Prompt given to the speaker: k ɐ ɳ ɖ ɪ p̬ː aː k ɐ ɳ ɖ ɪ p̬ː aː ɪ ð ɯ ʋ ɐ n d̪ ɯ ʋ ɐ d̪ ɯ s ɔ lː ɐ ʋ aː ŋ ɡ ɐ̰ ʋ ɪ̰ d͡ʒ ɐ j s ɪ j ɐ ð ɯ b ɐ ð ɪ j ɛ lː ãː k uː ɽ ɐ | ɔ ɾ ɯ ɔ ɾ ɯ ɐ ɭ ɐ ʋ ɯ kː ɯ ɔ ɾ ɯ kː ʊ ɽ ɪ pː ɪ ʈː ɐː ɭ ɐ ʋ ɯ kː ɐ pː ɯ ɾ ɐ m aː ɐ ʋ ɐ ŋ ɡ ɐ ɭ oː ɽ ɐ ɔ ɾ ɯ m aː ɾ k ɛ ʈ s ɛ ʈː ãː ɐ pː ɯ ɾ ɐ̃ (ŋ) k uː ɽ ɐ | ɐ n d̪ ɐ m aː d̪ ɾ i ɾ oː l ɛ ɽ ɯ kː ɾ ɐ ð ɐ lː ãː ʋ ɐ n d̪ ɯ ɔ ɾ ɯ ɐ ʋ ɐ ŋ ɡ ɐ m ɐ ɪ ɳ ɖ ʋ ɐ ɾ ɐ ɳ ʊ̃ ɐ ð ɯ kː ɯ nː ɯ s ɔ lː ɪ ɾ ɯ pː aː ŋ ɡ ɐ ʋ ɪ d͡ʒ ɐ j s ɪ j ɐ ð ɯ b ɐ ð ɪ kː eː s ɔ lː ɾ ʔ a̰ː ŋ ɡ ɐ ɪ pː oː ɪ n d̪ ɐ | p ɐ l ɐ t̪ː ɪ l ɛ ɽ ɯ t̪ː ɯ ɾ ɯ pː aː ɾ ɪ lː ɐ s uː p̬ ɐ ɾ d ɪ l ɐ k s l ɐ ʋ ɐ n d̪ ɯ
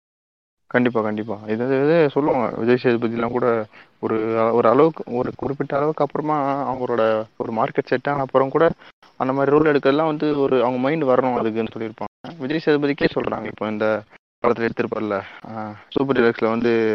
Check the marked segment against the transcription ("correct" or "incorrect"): incorrect